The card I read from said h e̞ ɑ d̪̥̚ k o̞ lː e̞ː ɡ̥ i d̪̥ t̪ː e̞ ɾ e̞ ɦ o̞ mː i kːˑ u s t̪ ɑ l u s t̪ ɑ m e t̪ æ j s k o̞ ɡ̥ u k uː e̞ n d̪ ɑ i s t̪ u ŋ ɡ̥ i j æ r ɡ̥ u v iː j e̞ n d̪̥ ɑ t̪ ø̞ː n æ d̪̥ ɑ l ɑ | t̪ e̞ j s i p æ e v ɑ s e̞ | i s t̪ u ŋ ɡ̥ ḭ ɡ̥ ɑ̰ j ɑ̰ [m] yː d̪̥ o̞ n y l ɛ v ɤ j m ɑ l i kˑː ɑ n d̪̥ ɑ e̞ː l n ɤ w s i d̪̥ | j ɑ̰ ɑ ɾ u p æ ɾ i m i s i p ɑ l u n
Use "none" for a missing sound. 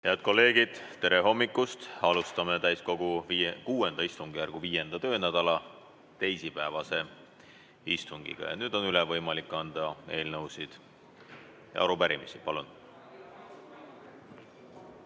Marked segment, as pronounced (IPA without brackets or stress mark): n